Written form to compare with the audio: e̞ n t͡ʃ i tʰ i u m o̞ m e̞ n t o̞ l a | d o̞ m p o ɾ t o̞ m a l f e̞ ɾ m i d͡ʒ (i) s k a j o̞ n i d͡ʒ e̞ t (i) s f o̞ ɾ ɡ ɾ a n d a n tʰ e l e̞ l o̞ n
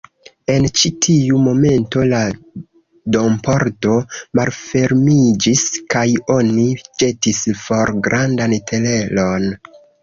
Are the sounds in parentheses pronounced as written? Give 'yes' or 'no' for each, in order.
yes, yes

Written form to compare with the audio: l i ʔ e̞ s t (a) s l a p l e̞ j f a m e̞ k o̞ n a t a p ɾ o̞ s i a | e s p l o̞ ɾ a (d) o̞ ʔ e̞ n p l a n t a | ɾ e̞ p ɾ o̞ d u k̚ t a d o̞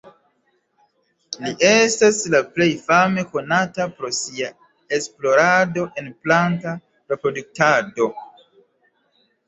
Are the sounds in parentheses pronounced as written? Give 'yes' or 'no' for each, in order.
yes, yes

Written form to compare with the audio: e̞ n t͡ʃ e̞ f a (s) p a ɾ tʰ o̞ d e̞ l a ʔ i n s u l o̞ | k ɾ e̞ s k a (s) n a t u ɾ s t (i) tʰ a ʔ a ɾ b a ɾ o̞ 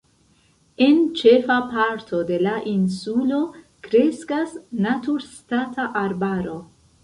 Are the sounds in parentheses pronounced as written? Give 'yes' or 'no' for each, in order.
no, yes, no

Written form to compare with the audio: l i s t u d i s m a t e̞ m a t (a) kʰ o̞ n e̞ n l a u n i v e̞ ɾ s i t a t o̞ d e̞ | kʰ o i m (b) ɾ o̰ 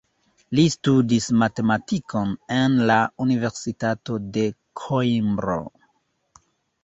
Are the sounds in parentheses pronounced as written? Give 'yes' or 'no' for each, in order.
no, yes

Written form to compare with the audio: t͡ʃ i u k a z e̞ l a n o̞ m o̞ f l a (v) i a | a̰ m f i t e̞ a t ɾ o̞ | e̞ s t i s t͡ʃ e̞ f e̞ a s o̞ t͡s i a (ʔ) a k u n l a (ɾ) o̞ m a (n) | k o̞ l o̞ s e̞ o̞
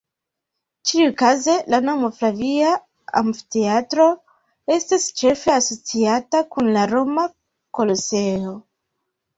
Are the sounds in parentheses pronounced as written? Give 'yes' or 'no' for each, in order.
yes, no, yes, no

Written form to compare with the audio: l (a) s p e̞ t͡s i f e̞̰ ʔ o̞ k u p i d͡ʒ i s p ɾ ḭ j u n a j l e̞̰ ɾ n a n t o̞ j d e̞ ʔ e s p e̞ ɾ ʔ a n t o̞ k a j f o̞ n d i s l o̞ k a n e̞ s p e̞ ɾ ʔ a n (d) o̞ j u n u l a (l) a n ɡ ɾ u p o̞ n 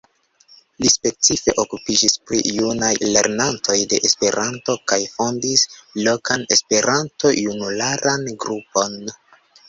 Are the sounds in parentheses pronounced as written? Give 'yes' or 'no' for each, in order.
no, no, no

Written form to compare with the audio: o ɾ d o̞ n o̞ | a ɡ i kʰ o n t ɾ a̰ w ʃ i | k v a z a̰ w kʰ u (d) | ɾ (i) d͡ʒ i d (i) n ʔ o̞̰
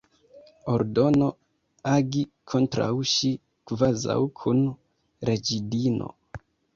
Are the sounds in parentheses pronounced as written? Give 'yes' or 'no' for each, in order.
no, no, yes

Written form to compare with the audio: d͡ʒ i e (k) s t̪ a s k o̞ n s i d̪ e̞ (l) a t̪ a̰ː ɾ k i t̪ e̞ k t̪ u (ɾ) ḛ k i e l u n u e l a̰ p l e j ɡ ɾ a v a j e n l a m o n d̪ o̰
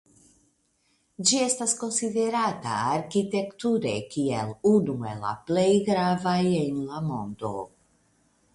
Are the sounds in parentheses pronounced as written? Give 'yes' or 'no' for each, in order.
no, no, yes

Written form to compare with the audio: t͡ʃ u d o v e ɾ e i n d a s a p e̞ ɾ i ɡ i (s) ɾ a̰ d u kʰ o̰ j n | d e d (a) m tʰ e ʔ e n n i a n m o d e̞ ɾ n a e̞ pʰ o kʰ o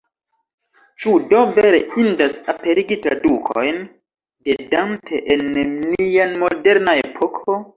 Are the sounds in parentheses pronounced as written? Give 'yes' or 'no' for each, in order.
no, yes

